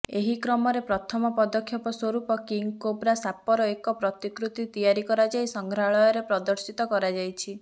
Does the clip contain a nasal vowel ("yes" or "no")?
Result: no